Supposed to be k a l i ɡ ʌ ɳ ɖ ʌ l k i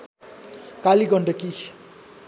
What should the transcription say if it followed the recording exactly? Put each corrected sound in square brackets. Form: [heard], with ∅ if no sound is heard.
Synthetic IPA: k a l i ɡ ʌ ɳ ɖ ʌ [∅] k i

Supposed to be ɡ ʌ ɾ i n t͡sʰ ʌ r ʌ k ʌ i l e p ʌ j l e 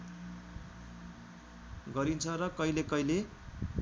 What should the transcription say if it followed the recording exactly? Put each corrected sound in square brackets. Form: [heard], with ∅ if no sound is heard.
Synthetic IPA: ɡ ʌ ɾ i n t͡sʰ ʌ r ʌ k ʌ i l e [k] ʌ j l e

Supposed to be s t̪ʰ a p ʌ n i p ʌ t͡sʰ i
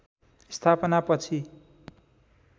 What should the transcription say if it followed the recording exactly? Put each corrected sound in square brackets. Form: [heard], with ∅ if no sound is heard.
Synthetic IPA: s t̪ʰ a p ʌ n [a] p ʌ t͡sʰ i

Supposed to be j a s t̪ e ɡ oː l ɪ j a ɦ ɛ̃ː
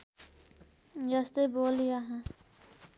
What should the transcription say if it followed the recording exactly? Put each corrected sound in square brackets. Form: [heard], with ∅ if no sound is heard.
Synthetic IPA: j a s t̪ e [b] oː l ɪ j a ɦ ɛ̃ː

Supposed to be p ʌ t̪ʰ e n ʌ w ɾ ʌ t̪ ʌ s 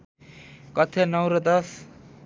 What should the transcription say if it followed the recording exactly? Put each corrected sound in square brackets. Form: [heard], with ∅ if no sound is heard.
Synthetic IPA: [k] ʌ t̪ʰ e n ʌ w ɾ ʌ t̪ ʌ s

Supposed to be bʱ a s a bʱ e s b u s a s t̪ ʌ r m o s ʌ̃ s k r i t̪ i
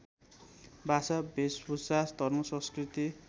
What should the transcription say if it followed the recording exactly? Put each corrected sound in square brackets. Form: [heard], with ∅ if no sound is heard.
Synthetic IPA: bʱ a s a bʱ e s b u s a s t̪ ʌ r m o s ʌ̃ s k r i t̪ i

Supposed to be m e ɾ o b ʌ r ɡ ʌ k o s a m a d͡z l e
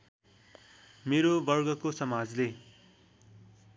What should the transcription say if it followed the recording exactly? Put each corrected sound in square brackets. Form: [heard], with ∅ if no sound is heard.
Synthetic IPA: m e ɾ o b ʌ r ɡ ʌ k o s [ʌ] m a d͡z l e

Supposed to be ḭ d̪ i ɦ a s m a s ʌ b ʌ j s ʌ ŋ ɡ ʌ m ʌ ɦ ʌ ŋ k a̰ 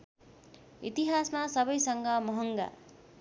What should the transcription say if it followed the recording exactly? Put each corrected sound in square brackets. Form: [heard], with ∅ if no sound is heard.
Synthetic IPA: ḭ [t̪] i ɦ a s m a s ʌ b ʌ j s ʌ ŋ ɡ ʌ m ʌ ɦ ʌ ŋ [ɡ] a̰

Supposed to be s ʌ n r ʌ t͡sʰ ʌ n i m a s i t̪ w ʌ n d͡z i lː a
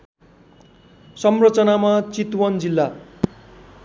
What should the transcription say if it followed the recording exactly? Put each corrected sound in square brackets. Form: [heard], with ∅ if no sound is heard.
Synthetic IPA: s ʌ [m] r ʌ [t͡s] ʌ n [a] m a [t͡s] i t̪ w ʌ n d͡z i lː a

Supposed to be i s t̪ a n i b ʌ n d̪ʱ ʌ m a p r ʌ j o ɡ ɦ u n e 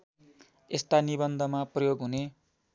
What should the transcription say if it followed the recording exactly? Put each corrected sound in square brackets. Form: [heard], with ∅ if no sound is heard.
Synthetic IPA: [e] s t̪ a n i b ʌ n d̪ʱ ʌ m a p r ʌ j o ɡ ɦ u n e

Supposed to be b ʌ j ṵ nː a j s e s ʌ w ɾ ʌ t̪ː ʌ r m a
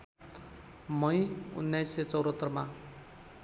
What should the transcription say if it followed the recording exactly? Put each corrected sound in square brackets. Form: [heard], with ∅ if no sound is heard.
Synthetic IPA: [m] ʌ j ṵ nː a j s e [t͡s] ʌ w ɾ ʌ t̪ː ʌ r m a

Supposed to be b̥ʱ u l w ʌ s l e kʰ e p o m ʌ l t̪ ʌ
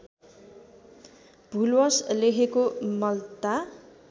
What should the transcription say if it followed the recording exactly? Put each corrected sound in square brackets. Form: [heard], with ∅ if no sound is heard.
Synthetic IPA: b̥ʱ u l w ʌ s l e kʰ e [k] o m ʌ l t̪ [a]

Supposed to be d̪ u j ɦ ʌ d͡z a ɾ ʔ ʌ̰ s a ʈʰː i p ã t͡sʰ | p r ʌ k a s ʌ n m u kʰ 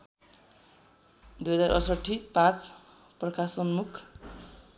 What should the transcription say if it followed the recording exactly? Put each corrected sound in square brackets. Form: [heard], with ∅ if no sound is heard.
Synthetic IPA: d̪ u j ɦ ʌ d͡z a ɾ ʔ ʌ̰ s [ʌ] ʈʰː i p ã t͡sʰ | p r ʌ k a s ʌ n m u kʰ

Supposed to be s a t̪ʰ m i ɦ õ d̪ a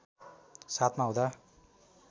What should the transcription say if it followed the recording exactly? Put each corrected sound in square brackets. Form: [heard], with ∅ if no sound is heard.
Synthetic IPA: s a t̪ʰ m [a] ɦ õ d̪ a

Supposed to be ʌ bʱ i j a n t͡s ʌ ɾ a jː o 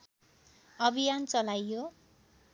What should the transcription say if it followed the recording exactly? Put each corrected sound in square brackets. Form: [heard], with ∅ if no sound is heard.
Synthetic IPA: ʌ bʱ i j a n t͡s ʌ [l] a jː o

